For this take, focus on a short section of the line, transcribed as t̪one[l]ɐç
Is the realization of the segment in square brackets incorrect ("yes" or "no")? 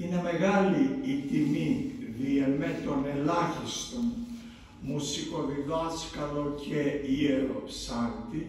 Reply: no